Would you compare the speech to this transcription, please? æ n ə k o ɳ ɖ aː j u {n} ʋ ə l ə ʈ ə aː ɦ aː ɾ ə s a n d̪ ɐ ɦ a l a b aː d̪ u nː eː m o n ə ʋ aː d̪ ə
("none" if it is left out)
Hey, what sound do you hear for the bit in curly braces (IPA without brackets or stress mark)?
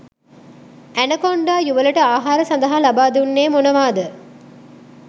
none